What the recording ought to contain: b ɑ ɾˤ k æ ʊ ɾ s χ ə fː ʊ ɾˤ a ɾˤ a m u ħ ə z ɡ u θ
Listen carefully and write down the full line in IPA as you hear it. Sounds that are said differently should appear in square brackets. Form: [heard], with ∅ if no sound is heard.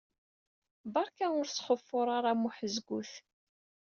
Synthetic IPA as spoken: b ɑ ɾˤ k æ ʊ ɾ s χ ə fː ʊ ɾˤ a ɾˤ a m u ħ ə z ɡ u θ